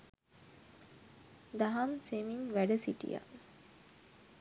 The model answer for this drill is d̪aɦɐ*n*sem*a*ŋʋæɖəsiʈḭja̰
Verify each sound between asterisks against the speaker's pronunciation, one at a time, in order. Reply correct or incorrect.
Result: incorrect: m, incorrect: i

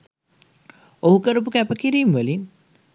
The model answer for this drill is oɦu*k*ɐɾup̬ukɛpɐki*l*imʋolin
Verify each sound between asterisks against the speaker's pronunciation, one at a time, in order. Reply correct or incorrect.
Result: correct, incorrect: ɾ

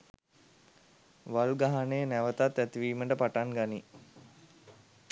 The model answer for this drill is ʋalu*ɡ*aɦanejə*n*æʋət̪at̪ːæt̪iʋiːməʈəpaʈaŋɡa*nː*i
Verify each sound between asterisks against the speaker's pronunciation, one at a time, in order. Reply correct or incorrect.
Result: correct, correct, incorrect: n

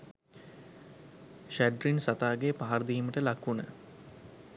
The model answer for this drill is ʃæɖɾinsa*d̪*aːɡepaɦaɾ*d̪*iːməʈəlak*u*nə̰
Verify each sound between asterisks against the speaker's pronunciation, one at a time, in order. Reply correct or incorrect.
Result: incorrect: t̪, correct, correct

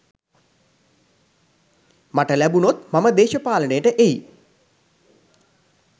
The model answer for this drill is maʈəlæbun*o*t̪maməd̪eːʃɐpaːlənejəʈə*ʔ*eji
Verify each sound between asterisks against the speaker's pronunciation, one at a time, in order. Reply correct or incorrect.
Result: correct, correct

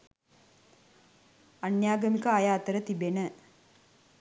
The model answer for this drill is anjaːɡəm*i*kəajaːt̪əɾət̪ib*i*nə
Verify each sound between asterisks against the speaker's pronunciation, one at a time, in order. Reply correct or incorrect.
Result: correct, incorrect: e

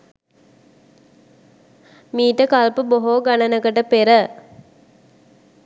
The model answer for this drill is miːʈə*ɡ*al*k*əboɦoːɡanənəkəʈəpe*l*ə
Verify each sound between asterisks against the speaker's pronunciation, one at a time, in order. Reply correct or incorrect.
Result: incorrect: k, incorrect: p, incorrect: ɾ

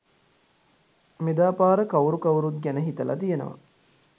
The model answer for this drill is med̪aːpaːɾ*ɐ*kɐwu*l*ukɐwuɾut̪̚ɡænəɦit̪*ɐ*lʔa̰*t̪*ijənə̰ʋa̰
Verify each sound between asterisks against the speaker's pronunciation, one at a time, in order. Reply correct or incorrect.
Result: incorrect: ə, incorrect: ɾ, incorrect: ə, correct

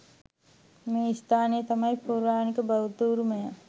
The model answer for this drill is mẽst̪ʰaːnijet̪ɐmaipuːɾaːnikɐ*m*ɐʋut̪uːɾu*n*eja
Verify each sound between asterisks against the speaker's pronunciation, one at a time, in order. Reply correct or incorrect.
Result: incorrect: b, incorrect: m

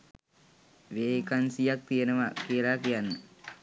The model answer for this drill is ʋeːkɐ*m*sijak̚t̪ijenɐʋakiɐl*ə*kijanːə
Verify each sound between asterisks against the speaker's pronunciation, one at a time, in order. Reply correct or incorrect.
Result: incorrect: n, incorrect: a

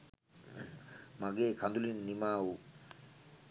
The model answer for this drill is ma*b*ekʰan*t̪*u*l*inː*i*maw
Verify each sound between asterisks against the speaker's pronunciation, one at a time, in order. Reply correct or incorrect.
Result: incorrect: ɡ, incorrect: d̪, correct, correct

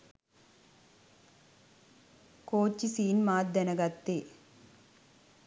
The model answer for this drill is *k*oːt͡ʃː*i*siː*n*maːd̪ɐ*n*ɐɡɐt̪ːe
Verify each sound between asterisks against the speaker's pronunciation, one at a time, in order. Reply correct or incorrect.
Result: correct, correct, correct, correct

